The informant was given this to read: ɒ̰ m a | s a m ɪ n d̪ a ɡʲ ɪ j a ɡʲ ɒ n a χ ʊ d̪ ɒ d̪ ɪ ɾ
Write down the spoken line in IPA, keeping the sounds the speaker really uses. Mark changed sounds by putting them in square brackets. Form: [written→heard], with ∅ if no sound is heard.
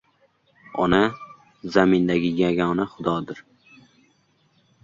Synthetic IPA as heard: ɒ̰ [m→n] a | [s→z] a m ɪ n d̪ a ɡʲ ɪ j a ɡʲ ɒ n a χ ʊ d̪ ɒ d̪ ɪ ɾ